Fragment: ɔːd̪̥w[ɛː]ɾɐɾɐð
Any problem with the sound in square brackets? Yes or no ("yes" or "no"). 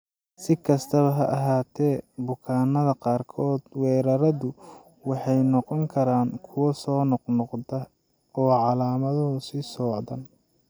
no